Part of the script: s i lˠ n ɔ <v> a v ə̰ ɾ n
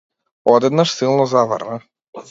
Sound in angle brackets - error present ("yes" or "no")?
yes